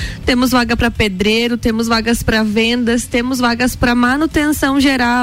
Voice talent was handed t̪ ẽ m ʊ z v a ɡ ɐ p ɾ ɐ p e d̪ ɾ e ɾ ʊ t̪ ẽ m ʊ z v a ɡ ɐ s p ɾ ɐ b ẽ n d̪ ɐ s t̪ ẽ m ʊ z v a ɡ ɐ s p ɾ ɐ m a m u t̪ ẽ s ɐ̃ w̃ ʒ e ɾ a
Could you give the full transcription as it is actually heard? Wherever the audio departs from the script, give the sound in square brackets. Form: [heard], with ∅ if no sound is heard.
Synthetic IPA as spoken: t̪ ẽ m ʊ z v a ɡ ɐ p ɾ ɐ p e d̪ ɾ e ɾ ʊ t̪ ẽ m ʊ z v a ɡ ɐ s p ɾ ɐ [v] ẽ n d̪ ɐ s t̪ ẽ m ʊ z v a ɡ ɐ s p ɾ ɐ m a [n] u t̪ ẽ s ɐ̃ w̃ ʒ e ɾ a